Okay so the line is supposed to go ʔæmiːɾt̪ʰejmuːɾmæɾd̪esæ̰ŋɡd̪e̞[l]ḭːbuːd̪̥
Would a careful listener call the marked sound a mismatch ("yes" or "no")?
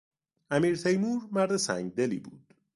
no